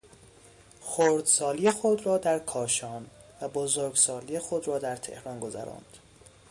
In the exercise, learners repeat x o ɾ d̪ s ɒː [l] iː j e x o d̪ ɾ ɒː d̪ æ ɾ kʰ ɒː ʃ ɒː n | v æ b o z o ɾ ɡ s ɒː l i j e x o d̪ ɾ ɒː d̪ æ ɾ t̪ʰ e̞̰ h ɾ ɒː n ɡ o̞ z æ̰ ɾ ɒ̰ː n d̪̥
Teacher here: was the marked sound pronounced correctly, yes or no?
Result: yes